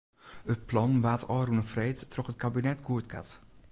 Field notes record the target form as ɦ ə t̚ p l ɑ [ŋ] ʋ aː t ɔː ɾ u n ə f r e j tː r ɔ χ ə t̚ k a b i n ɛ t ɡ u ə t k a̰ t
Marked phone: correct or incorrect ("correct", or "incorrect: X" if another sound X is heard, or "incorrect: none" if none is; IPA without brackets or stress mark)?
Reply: incorrect: n